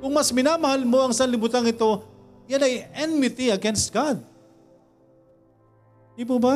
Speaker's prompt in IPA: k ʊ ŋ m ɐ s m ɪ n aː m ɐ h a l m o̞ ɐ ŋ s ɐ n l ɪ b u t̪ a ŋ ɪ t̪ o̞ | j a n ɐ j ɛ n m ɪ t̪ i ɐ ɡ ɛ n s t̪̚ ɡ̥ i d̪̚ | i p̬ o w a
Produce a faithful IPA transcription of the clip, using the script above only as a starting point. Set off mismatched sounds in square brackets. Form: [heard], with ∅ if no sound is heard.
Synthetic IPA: k ʊ ŋ m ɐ s m ɪ n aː m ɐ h a l m o̞ ɐ ŋ s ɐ n l ɪ b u t̪ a ŋ ɪ t̪ o̞ | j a n ɐ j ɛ n m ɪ t̪ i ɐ ɡ ɛ n s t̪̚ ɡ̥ [a] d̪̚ | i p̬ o [b] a